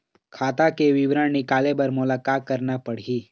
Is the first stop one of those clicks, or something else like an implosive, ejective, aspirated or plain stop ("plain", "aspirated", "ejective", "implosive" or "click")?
aspirated